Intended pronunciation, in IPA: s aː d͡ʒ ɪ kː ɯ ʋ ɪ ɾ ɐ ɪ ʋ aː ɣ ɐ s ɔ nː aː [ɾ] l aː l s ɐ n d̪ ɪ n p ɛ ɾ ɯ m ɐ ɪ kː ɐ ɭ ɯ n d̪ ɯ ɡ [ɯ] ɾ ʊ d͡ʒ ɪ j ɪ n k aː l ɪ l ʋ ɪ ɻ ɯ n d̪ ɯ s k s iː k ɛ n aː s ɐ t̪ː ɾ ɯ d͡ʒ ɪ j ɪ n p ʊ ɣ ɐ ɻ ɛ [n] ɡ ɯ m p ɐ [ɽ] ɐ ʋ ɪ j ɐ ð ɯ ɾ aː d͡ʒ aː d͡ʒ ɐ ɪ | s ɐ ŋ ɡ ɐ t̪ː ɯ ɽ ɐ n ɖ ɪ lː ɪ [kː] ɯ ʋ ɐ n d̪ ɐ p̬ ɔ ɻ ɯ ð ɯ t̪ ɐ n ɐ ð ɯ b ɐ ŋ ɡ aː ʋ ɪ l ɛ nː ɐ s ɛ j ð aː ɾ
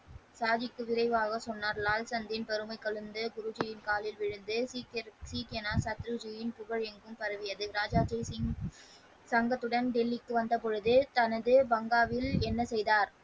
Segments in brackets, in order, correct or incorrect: correct, incorrect: ʊ, incorrect: ŋ, incorrect: ɾ, correct

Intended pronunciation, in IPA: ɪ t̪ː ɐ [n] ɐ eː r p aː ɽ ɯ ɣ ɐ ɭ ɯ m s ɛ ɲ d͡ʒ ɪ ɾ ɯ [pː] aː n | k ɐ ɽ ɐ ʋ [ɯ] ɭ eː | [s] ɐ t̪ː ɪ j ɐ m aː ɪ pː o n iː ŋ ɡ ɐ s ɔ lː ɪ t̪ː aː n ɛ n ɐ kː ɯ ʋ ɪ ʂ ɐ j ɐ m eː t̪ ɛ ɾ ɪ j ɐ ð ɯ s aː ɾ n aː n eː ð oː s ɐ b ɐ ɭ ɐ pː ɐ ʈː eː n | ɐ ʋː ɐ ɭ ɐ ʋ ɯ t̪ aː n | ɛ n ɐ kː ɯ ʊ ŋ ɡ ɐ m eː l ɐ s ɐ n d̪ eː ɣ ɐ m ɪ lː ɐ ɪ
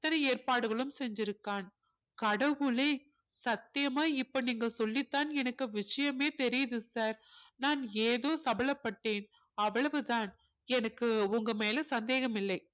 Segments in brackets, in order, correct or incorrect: correct, incorrect: kː, correct, correct

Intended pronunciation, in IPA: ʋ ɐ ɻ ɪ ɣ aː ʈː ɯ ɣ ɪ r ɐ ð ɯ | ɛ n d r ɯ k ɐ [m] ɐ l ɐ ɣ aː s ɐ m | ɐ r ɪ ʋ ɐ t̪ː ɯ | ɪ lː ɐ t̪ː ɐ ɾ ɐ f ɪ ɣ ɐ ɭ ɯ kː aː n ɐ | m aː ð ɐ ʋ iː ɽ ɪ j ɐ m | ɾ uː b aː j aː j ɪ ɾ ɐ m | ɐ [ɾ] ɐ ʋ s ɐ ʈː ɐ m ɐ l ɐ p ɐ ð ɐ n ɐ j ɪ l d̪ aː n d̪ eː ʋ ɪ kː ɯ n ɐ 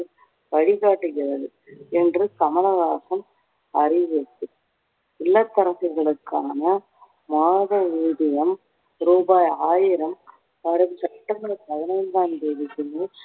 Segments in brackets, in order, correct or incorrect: correct, correct

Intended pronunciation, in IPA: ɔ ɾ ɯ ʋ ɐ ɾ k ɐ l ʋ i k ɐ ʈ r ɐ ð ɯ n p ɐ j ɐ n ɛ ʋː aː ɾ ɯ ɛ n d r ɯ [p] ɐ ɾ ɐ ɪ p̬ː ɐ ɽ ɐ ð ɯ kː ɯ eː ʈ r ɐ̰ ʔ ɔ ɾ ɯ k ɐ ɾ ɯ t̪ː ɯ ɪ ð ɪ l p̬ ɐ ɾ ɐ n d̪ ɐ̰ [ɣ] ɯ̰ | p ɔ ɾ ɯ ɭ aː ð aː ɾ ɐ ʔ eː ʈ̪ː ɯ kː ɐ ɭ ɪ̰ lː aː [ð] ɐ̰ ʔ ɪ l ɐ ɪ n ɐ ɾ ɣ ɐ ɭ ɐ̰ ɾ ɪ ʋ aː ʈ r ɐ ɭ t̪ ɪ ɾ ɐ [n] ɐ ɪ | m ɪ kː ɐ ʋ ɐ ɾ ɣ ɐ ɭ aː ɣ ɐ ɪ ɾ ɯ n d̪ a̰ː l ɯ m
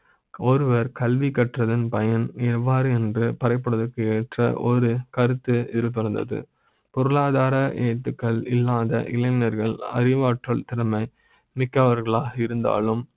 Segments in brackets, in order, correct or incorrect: correct, incorrect: ð, correct, incorrect: m

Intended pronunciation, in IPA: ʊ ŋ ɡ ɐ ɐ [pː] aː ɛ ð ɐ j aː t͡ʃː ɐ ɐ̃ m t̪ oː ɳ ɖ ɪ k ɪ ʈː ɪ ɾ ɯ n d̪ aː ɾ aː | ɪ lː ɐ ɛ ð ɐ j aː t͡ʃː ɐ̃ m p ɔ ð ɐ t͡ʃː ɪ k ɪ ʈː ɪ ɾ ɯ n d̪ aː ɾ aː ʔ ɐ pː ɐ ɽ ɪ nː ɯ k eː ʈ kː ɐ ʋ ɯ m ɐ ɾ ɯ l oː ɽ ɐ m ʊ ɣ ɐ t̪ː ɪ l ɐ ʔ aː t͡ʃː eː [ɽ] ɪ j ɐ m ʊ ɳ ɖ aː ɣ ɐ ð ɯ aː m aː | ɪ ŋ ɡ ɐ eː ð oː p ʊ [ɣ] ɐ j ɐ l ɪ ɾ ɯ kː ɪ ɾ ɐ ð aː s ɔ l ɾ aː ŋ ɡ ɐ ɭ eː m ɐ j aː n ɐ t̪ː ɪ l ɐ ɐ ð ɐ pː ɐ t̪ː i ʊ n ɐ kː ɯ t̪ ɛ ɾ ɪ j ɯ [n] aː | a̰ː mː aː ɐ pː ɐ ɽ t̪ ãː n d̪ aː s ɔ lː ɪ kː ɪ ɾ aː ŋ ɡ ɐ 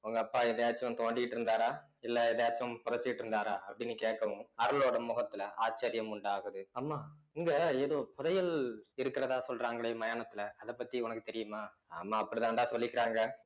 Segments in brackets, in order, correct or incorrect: correct, incorrect: ɾ, incorrect: ð, incorrect: m

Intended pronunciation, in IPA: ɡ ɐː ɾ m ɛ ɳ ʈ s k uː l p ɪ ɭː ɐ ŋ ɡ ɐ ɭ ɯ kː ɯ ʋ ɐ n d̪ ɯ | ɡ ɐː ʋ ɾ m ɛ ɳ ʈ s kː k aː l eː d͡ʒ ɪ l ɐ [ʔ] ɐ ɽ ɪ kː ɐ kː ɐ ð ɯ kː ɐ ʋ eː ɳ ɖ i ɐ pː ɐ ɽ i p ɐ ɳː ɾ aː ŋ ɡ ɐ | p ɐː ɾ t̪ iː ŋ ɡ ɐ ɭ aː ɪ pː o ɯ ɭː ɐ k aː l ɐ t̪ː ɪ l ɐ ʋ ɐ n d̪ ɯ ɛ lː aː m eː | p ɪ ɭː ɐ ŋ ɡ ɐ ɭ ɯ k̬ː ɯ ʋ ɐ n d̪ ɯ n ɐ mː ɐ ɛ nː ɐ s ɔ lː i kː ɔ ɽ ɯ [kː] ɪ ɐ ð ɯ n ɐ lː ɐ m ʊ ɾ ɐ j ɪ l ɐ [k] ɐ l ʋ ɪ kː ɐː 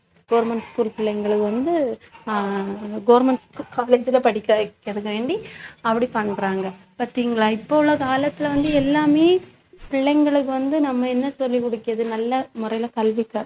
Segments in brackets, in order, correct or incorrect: incorrect: p, correct, correct

